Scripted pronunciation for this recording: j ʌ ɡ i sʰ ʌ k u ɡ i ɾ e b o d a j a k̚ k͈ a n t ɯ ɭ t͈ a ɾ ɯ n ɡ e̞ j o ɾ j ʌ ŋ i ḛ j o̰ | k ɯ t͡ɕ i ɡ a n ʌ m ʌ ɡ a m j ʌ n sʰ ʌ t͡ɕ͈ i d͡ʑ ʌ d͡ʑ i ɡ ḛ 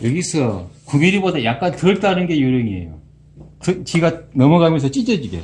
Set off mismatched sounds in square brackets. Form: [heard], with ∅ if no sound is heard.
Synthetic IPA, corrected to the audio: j ʌ ɡ i sʰ ʌ k u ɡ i ɾ [i] b o d a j a k̚ k͈ a n t ɯ ɭ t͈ a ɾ ɯ n ɡ e̞ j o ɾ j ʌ ŋ i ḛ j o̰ | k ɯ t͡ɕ i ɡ a n ʌ m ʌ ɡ a m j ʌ n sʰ ʌ t͡ɕ͈ i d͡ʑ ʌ d͡ʑ i ɡ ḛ